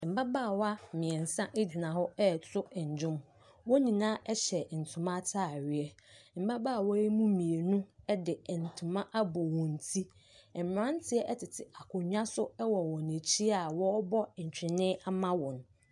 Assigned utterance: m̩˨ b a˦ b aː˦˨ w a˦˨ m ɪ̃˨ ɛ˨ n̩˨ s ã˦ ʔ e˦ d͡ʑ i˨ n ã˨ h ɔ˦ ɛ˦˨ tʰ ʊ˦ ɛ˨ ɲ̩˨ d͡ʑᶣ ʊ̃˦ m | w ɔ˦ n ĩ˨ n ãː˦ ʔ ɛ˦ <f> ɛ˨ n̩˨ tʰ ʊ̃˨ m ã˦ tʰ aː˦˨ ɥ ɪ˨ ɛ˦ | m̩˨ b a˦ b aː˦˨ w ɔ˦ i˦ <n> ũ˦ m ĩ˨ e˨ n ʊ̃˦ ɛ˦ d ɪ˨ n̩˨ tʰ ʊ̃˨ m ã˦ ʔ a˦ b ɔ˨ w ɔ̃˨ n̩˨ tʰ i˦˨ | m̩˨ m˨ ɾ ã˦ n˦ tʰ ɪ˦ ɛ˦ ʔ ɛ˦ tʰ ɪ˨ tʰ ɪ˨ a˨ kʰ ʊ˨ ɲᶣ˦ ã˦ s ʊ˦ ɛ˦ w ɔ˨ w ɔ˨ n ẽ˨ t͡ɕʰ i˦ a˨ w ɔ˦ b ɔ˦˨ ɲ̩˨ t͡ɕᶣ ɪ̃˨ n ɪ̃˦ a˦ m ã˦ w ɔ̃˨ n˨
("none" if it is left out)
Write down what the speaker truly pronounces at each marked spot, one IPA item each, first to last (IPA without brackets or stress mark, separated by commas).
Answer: ɕ, m